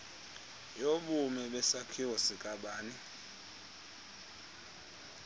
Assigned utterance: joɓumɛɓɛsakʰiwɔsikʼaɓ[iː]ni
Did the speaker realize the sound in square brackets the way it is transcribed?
no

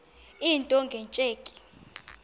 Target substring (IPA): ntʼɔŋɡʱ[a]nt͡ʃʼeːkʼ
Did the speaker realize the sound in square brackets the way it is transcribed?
no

